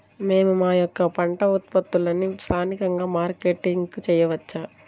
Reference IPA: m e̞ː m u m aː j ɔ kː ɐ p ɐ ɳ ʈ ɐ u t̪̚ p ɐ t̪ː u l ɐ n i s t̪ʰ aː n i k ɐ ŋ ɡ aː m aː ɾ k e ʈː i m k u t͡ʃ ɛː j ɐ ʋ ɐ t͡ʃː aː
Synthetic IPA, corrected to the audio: m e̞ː m u m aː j ɔ kː ɐ p ɐ ɳ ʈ ɐ u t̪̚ p ɐ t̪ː u l ɐ n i s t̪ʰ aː n i k ɐ ŋ ɡ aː m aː ɾ k e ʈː i ŋ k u t͡ʃ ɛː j ɐ ʋ ɐ t͡ʃː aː